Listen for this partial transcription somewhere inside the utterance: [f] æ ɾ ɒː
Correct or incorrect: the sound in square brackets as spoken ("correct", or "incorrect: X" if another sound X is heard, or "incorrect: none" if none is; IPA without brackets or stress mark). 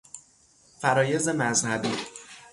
correct